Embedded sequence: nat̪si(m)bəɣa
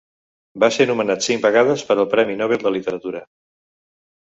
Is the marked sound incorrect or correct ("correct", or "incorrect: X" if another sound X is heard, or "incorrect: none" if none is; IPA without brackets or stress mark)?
incorrect: ŋ